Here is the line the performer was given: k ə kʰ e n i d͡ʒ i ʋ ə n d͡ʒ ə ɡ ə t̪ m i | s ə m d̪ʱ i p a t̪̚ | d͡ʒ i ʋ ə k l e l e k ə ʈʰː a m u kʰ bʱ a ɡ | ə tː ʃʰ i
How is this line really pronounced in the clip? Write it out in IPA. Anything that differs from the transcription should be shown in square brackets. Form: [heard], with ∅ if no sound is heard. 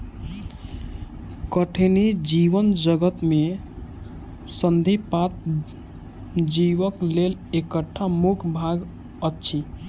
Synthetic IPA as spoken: k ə [ʈʰ] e n i d͡ʒ i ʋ ə n d͡ʒ ə ɡ ə t̪ m [e] | s ə [n] d̪ʱ i p a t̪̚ | d͡ʒ i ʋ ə k l e l e k ə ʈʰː a m u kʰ bʱ a ɡ | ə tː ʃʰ i